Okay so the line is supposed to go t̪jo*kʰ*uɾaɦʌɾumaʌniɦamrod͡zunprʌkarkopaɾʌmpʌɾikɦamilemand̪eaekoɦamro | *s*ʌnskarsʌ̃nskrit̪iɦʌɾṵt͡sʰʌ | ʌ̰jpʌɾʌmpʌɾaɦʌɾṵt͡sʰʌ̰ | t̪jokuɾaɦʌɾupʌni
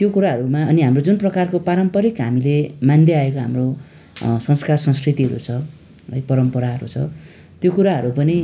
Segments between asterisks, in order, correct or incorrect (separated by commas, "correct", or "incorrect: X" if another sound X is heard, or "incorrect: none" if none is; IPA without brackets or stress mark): incorrect: k, correct